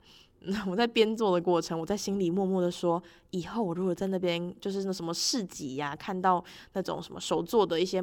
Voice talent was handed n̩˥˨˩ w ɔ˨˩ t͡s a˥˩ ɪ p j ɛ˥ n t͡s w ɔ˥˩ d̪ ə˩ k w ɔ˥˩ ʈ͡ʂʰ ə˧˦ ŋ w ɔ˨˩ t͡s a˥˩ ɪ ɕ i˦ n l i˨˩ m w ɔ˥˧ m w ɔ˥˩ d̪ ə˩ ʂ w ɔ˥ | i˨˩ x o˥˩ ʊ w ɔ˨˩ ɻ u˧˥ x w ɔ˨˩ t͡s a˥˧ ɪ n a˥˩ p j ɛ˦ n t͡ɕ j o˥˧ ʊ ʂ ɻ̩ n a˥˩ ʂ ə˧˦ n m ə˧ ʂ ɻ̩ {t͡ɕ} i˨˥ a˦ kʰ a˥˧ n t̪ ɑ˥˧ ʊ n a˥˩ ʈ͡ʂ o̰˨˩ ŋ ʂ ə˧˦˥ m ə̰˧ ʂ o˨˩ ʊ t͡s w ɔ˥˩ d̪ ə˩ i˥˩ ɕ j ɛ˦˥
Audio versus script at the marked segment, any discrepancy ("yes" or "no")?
no